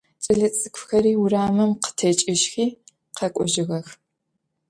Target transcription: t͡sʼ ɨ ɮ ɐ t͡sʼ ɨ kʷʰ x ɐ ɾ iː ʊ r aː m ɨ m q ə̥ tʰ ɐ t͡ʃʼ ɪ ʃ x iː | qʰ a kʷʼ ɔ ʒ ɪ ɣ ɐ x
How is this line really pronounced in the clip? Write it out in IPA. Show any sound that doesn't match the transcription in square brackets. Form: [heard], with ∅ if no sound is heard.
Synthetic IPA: t͡sʼ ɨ ɮ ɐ t͡sʼ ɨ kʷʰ x ɐ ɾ iː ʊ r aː m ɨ m q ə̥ tʰ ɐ t͡ʃʼ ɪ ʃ x iː | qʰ [ɐ] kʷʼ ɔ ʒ ɪ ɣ ɐ x